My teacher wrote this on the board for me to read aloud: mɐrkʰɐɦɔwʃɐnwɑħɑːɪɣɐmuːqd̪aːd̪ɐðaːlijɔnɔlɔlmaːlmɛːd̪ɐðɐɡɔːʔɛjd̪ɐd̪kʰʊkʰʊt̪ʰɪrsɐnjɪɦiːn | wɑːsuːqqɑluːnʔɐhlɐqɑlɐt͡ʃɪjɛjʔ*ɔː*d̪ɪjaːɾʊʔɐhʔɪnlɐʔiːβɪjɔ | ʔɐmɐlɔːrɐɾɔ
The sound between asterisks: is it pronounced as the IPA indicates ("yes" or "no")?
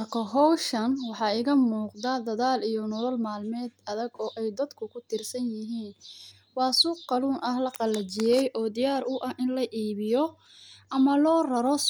yes